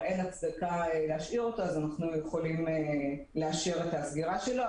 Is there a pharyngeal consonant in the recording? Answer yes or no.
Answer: no